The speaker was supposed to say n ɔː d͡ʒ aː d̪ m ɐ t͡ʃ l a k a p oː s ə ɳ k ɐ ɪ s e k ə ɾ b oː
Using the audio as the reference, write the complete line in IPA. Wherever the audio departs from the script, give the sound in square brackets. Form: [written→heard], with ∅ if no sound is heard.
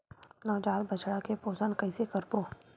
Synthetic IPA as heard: n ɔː d͡ʒ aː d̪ [m→b] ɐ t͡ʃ [l→ɽ] a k [a→e] p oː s ə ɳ k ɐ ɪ s e k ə ɾ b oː